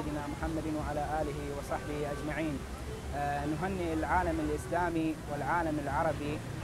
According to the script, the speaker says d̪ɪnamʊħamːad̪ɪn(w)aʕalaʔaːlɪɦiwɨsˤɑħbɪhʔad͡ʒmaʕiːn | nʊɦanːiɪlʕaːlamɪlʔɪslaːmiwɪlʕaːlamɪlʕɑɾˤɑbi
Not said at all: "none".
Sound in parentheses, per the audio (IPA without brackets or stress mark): w